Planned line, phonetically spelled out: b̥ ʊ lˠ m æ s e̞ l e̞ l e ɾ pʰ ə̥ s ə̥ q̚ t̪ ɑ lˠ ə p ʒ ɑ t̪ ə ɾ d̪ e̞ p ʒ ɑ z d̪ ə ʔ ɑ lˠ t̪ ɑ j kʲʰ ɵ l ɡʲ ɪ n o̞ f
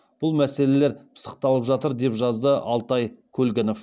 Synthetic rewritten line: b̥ ʊ lˠ m æ s e̞ l e̞ l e ɾ pʰ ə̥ s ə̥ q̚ t̪ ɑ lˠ ə p ʒ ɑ t̪ ə ɾ d̪ e̞ p ʒ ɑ z d̪ ə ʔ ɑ lˠ t̪ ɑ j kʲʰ ɵ l ɡʲ ɪ n o̞ f